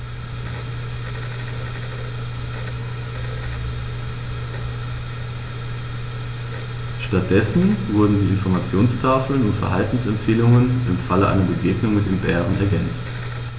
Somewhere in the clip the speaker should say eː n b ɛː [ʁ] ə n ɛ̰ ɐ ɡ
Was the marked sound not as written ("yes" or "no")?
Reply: no